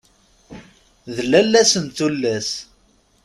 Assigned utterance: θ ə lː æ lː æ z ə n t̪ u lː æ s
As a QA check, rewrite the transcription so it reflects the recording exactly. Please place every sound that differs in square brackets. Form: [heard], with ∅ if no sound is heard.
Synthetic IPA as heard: [ð] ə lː æ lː æ [s] ə n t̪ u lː æ s